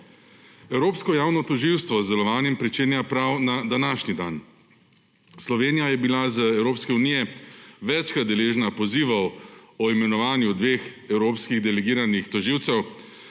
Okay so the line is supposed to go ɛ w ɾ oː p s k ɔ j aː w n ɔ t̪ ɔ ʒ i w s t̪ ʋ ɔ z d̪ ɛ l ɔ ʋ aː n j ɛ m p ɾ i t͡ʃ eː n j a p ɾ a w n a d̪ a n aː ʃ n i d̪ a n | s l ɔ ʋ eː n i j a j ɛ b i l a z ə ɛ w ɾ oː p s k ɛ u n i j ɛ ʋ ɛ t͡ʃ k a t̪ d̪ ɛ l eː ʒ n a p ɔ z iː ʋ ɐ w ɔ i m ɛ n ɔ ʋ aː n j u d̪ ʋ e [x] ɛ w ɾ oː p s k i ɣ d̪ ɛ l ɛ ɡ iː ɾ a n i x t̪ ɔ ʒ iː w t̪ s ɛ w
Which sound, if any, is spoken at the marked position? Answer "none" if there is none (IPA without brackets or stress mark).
x